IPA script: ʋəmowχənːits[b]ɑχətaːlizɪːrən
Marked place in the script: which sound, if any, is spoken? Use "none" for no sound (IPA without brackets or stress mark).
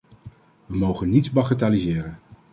b